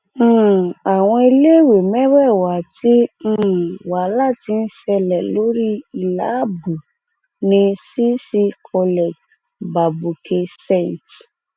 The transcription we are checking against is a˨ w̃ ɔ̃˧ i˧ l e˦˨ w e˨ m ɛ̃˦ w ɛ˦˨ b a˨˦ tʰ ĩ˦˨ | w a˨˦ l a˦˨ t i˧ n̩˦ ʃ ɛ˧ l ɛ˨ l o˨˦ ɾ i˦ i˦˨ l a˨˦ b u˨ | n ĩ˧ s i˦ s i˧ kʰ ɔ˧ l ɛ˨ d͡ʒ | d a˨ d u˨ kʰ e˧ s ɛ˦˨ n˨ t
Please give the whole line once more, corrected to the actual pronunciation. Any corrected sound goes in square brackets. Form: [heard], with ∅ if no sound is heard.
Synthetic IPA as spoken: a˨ w̃ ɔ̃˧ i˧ l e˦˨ w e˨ m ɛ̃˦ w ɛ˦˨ [w] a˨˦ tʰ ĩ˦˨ | w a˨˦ l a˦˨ t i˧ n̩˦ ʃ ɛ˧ l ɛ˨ l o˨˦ ɾ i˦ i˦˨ l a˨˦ b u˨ | n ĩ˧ s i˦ s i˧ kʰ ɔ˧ l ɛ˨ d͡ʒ | [b] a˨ [b] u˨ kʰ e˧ s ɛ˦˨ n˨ t